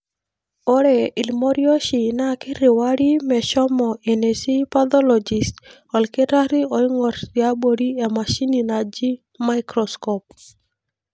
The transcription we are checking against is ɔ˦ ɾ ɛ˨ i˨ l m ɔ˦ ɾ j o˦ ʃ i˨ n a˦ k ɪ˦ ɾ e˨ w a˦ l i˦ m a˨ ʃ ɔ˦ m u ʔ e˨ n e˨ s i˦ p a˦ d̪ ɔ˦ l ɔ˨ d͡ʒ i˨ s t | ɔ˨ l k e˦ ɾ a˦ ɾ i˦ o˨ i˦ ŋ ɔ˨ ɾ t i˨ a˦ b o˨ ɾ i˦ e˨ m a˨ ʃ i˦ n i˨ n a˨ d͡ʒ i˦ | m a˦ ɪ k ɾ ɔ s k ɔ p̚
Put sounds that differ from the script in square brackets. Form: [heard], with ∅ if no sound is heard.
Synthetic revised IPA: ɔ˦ ɾ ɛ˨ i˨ l m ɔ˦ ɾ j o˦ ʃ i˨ n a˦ k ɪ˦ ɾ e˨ w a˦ [ɾ] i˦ m [ɛ˨] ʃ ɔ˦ m [ɔ] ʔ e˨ n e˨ s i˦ p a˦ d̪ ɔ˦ l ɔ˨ d͡ʒ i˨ s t | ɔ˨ l k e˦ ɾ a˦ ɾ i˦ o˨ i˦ ŋ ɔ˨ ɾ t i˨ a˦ b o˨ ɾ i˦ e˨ m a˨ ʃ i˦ n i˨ n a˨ d͡ʒ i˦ | m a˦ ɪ k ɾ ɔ s k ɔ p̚